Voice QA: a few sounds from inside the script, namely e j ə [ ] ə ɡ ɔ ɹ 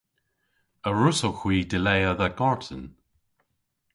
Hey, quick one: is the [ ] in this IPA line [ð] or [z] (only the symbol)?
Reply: ð